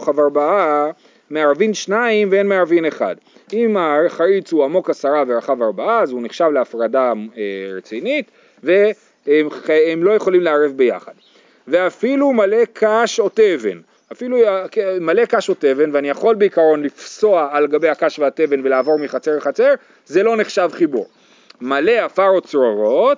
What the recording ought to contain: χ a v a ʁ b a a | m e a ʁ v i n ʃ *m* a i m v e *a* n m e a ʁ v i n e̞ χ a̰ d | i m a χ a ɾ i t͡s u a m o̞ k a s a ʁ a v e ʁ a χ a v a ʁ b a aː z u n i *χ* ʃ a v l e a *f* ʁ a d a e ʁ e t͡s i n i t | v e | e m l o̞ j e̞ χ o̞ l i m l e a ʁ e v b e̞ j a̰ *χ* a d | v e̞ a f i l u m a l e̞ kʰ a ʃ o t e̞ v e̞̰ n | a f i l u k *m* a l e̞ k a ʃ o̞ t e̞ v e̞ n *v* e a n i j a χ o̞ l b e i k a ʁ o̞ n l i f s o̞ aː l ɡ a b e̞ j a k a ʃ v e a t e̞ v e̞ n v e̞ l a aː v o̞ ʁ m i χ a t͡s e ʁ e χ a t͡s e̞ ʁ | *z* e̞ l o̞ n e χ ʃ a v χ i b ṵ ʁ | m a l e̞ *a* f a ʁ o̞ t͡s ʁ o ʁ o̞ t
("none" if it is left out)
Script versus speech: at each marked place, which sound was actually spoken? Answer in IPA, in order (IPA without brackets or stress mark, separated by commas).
n, e, χ, f, χ, m, v, z, a